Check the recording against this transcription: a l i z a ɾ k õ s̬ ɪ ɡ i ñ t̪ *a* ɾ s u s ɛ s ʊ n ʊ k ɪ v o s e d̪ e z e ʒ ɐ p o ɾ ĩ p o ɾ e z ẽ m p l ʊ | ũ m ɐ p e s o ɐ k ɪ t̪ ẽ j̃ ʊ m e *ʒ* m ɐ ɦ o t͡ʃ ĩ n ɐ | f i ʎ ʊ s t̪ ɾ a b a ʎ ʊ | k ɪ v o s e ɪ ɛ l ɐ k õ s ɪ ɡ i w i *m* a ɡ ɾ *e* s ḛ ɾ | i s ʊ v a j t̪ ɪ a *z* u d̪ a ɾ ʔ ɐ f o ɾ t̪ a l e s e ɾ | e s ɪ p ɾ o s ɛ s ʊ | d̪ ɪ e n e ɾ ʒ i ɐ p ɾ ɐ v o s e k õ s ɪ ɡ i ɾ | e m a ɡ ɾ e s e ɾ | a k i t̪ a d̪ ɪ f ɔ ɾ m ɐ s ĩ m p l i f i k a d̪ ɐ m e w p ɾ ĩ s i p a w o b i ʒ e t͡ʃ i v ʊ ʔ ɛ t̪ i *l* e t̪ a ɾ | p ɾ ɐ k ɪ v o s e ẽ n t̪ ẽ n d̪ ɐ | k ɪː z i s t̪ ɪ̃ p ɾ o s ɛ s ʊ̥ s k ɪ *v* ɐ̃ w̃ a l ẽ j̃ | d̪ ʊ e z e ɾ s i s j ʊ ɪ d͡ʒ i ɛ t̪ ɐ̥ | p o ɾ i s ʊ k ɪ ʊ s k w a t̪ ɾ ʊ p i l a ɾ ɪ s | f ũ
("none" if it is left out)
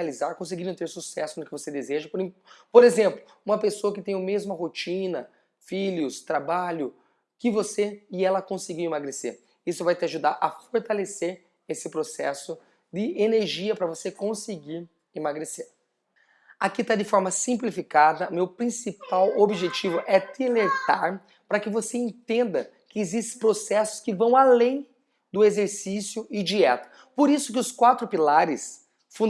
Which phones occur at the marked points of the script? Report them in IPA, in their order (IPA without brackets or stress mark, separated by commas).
e, z, m, e, ʒ, l, v